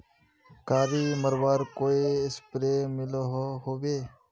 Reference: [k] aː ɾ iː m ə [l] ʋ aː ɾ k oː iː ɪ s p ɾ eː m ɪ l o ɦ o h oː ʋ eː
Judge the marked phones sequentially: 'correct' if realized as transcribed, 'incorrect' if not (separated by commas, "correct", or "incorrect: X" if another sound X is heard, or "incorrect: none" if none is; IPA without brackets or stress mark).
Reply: correct, incorrect: ɾ